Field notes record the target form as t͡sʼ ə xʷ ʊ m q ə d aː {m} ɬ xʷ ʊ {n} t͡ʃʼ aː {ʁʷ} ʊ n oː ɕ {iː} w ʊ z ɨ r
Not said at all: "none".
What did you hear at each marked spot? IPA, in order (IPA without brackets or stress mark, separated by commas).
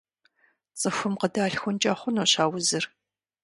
none, n, χʷ, aː